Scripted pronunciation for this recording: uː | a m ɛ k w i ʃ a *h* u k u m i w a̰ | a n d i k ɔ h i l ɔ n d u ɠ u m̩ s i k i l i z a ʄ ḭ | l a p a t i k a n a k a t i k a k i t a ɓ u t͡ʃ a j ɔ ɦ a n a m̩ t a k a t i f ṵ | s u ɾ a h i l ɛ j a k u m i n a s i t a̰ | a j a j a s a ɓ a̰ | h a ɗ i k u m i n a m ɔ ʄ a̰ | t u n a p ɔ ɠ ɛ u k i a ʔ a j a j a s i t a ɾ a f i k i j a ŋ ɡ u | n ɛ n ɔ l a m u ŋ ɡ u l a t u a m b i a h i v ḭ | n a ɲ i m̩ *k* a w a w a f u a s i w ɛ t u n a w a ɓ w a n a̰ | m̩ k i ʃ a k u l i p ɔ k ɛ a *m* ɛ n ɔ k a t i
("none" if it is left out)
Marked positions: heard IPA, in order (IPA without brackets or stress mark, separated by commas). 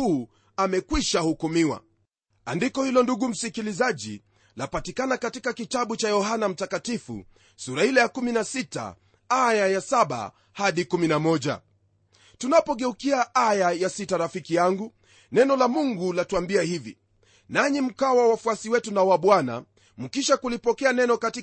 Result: h, k, n